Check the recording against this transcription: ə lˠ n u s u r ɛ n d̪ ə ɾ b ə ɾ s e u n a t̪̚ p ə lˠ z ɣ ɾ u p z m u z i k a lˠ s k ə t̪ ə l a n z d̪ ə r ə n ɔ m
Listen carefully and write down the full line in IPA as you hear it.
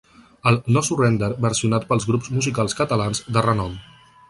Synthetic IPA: ə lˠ n ɔ s u r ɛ n d̪ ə ɾ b ə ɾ s i u n a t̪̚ p ə lˠ z ɣ ɾ u p z m u z i k a lˠ s k ə t̪ ə l a n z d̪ ə r ə n ɔ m